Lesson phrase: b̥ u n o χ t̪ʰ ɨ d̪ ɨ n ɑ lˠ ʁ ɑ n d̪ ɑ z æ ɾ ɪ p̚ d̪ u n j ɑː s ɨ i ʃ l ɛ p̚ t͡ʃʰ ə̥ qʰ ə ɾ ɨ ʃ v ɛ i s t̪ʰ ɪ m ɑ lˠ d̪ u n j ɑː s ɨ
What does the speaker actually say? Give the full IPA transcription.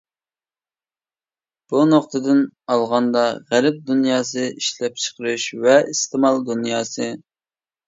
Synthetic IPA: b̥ u n o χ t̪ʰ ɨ d̪ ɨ n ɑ lˠ ʁ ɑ n d̪ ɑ ʁ æ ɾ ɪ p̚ d̪ u n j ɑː s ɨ i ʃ l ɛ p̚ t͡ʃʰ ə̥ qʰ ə ɾ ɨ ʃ v ɛ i s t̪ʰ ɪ m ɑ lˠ d̪ u n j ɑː s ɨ